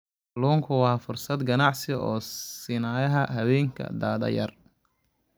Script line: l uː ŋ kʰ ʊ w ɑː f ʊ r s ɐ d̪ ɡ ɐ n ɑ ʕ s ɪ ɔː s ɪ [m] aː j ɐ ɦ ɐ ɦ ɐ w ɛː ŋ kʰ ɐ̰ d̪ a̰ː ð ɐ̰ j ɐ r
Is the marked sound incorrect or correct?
incorrect